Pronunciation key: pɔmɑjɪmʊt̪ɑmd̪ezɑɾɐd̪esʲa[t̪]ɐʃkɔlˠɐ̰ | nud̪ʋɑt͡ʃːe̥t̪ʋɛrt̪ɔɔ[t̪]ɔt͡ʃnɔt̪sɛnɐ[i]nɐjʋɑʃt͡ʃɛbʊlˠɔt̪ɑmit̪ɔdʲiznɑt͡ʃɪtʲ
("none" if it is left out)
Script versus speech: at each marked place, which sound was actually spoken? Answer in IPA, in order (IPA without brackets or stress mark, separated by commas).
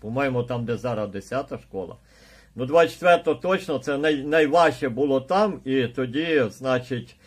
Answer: t̪, t̪, j